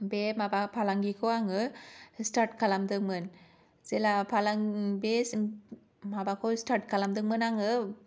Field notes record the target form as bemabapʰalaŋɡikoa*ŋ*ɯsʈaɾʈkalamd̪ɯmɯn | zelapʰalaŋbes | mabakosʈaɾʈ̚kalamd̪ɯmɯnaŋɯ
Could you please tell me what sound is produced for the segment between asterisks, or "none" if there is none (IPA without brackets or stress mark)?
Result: ŋ